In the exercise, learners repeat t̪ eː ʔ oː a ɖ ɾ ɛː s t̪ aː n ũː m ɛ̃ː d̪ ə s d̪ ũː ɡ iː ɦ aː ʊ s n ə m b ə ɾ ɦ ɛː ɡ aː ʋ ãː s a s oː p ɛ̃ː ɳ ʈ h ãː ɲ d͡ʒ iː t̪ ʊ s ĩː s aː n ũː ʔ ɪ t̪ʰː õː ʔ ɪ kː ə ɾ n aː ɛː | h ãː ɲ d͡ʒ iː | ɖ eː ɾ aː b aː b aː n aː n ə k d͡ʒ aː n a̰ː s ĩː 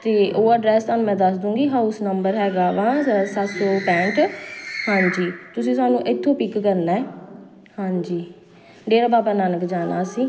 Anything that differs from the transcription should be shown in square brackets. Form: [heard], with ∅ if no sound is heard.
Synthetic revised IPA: t̪ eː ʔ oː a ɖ ɾ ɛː s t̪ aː n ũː m ɛ̃ː d̪ ə s d̪ ũː ɡ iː ɦ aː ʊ s n ə m b ə ɾ ɦ ɛː ɡ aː ʋ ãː s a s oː p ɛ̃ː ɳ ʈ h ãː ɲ d͡ʒ iː t̪ ʊ s ĩː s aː n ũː ʔ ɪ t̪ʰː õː [p] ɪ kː ə ɾ n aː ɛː | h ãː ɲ d͡ʒ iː | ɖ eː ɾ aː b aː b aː n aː n ə k d͡ʒ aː n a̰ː s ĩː